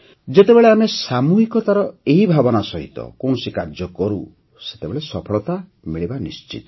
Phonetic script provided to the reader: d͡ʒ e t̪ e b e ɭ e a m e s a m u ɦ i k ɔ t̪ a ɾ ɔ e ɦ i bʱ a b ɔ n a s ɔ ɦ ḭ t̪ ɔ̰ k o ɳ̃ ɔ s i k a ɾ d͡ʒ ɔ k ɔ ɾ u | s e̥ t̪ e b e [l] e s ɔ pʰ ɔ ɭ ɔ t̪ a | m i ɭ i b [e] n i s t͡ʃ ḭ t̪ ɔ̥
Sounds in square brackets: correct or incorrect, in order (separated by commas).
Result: incorrect, incorrect